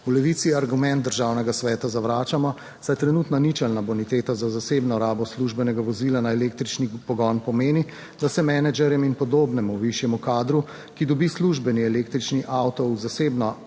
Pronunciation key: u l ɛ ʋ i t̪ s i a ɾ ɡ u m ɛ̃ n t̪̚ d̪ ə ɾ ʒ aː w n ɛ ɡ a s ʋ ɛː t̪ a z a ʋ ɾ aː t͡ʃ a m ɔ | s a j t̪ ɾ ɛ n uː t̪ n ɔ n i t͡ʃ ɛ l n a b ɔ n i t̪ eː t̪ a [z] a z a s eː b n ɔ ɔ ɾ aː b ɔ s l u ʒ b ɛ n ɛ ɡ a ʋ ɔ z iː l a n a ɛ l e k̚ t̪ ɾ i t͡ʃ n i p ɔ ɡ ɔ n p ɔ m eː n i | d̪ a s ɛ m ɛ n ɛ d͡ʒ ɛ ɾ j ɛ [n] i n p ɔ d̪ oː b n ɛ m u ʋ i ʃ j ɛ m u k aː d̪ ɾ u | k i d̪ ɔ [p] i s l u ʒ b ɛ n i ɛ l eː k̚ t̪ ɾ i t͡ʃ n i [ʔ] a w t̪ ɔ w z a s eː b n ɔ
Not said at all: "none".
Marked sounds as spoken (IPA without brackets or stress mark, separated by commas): z, m, b, ʔ